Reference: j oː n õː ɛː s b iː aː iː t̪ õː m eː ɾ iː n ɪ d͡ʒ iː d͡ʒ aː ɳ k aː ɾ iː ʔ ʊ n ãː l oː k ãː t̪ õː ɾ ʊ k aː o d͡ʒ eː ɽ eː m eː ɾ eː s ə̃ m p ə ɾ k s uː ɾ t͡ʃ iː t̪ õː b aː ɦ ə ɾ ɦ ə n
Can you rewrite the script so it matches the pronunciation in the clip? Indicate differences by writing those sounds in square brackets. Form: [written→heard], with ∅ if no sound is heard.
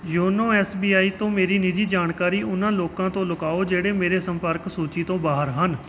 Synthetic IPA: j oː n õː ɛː s b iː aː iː t̪ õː m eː ɾ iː n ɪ d͡ʒ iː d͡ʒ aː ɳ k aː ɾ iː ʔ ʊ n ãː l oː k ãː t̪ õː [ɾ→l] ʊ k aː o d͡ʒ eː ɽ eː m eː ɾ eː s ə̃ m p ə ɾ k s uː [ɾ→∅] t͡ʃ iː t̪ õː b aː ɦ ə ɾ ɦ ə n